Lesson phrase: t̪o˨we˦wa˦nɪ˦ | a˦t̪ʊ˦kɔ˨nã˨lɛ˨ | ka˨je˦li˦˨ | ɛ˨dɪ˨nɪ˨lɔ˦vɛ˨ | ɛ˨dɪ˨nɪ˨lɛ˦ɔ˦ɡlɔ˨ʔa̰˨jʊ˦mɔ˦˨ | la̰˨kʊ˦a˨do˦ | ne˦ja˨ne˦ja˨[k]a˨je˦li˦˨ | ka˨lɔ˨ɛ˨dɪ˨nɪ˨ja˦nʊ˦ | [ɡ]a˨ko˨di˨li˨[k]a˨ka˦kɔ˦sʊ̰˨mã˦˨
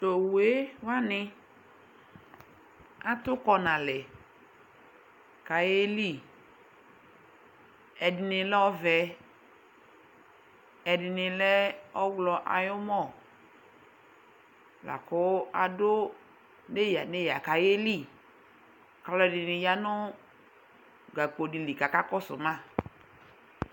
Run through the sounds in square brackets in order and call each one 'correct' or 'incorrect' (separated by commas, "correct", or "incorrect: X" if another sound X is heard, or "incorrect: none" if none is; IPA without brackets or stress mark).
correct, correct, correct